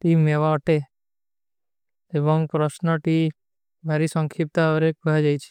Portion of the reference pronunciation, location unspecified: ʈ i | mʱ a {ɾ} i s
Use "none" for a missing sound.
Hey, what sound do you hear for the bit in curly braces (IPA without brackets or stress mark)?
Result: ɾ